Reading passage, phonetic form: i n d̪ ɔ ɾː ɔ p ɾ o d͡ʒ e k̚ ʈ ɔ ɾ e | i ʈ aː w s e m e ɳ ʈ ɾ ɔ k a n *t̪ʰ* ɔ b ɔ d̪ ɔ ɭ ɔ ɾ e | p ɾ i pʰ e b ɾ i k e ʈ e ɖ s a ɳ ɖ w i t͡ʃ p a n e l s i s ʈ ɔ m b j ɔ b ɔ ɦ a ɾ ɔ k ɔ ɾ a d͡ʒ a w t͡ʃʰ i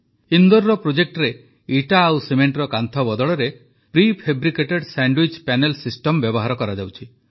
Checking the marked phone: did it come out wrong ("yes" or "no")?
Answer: no